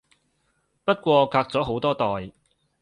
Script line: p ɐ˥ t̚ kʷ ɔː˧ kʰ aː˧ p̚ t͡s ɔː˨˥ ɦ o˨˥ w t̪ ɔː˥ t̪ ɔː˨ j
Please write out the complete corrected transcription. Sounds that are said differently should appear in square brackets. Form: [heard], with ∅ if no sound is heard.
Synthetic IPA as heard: p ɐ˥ t̚ kʷ ɔː˧ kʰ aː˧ [k̚] t͡s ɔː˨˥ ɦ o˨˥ w t̪ ɔː˥ t̪ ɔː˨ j